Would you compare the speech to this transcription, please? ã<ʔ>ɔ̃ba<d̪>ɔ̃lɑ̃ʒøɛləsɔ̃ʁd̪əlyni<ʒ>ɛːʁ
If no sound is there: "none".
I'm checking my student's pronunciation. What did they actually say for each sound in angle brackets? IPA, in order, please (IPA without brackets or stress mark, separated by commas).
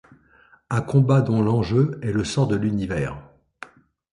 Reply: k, d̪, v